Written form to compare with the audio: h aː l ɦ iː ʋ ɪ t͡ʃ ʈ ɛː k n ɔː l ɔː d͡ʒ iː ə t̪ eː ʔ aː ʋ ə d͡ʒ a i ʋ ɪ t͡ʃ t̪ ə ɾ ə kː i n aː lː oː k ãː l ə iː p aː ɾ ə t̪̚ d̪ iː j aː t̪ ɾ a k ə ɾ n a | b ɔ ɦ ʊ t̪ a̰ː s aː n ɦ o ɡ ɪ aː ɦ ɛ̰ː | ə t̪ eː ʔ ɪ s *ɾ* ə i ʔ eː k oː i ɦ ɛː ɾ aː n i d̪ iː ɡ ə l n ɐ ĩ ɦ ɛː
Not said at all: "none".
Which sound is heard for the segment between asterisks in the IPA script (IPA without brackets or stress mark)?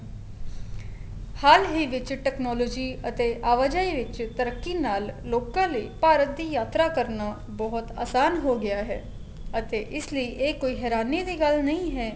l